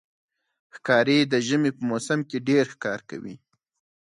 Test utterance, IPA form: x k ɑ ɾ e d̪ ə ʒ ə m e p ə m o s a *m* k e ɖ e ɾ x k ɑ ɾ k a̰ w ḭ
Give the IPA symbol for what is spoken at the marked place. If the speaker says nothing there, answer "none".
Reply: m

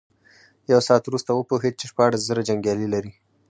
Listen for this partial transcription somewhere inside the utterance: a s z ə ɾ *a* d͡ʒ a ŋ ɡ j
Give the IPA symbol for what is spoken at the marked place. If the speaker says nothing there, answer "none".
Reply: a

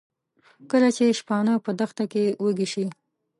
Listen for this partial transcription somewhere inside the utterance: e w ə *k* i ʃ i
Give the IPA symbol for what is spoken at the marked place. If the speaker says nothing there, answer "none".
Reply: ɡ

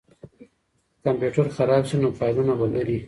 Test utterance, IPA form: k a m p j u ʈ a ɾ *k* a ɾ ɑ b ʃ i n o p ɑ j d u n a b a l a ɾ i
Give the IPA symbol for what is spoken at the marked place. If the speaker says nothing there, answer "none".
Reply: x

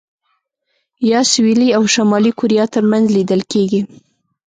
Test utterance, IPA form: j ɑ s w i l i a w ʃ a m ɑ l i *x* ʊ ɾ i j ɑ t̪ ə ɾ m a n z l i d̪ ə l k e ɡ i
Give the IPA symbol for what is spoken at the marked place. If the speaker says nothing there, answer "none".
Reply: k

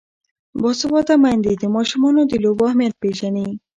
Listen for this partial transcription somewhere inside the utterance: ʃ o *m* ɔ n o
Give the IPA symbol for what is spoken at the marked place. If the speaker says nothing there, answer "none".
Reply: m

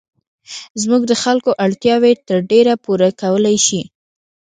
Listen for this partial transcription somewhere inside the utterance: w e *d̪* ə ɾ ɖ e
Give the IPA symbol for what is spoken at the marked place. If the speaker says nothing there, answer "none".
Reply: t̪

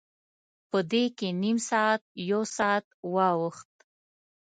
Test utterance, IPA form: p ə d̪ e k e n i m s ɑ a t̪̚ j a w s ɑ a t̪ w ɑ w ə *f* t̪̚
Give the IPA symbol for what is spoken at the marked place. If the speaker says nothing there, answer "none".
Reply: x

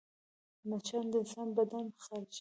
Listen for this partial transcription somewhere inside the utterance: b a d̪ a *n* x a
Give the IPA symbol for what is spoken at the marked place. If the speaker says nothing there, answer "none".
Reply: n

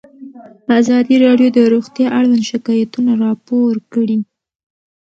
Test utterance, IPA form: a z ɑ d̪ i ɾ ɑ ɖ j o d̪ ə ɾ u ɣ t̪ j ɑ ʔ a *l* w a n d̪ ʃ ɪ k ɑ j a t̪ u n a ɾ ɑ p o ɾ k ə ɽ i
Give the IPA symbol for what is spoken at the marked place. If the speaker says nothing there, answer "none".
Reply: ɽ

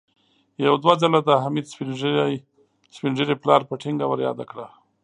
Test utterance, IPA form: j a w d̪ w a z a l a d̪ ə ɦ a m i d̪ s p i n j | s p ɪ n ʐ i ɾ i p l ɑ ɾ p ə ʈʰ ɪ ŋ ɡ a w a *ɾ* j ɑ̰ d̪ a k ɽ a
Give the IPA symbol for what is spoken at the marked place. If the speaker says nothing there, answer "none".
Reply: ɾ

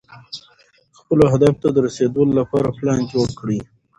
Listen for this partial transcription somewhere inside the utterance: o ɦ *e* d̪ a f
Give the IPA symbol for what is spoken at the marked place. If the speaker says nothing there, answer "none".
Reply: a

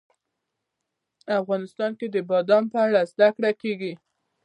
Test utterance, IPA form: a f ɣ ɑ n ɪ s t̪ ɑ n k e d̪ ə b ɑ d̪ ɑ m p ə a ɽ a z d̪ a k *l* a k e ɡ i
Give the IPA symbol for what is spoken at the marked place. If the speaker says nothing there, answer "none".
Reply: ɽ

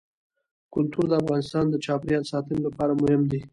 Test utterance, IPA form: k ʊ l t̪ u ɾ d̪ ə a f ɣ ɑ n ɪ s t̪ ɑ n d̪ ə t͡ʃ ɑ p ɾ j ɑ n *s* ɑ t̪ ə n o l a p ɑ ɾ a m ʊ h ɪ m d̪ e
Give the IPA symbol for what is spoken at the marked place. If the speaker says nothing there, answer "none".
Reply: s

